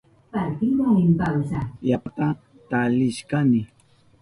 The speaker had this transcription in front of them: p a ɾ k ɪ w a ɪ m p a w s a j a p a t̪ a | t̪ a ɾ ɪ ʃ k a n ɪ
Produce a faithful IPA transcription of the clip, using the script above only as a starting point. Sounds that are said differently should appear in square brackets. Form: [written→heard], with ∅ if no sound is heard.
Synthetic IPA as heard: p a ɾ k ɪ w a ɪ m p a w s a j a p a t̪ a | t̪ a [ɾ→l] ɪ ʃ k a n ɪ